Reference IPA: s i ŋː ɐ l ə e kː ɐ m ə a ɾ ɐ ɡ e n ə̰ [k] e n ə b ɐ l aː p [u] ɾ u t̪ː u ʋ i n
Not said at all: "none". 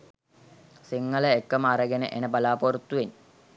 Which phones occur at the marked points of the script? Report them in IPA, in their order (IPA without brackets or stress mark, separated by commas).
ʔ, o